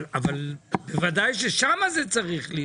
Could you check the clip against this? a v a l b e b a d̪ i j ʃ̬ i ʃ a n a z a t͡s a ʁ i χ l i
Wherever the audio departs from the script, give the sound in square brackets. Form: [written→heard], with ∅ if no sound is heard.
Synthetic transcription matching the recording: a v a l b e [b→v] a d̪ [i→a] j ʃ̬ [i→e] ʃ a [n→m] a z [a→e] t͡s a ʁ i χ l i